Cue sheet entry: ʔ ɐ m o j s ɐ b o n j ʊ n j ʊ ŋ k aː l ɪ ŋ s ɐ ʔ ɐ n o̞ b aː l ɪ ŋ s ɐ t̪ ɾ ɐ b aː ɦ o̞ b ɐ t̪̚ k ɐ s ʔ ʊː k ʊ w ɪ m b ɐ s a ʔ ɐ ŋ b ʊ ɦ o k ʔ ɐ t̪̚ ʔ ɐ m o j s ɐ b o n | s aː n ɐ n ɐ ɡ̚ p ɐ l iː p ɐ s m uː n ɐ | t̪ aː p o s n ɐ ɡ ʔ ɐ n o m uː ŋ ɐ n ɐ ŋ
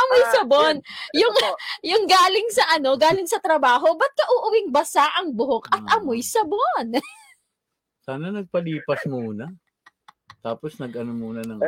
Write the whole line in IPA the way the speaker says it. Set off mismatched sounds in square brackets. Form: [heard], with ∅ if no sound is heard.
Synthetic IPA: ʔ ɐ m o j s ɐ b o n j ʊ [ŋ] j ʊ ŋ [ɡ] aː l ɪ ŋ s ɐ ʔ ɐ n o̞ [ɡ] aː l ɪ ŋ s ɐ t̪ ɾ ɐ b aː ɦ o̞ b ɐ t̪̚ k ɐ [∅] ʔ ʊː [ʔ] ʊ w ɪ [ŋ] b ɐ s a ʔ ɐ ŋ b ʊ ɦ o k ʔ ɐ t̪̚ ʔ ɐ m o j s ɐ b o n | s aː n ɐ n ɐ ɡ̚ p ɐ l iː p ɐ s m uː n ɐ | t̪ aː p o s n ɐ ɡ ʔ ɐ n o m uː [n] ɐ n ɐ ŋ